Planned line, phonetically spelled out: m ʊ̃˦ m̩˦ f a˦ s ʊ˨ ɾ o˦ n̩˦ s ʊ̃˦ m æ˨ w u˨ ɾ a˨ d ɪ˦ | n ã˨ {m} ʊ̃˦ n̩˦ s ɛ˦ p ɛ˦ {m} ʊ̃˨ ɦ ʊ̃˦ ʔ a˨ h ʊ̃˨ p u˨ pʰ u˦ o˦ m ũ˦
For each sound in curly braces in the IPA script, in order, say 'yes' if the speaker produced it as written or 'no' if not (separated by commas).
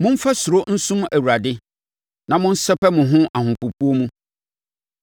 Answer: yes, yes